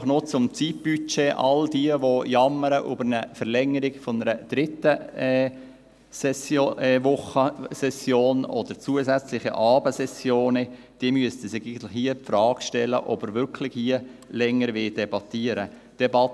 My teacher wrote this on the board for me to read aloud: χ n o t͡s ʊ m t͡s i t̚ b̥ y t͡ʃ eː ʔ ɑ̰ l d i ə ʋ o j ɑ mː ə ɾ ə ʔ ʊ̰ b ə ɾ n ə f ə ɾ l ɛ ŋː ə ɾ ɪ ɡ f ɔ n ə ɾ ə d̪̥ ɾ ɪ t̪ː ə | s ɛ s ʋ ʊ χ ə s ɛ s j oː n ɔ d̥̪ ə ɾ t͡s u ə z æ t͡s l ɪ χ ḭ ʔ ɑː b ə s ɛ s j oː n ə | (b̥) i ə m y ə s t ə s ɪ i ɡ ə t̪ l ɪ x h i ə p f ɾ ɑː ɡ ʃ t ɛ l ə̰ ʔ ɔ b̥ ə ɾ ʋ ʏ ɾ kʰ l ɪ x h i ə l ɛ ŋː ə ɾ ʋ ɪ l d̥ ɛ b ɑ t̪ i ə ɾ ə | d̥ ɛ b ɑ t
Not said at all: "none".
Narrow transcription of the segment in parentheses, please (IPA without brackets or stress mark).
d̥